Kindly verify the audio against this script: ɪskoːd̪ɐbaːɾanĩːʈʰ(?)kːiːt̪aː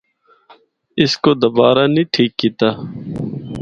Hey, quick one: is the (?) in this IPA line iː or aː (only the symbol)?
iː